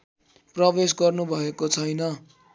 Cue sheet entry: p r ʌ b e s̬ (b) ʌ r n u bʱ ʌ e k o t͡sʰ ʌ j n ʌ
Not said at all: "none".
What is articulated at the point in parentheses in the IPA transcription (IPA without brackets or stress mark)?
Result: ɡ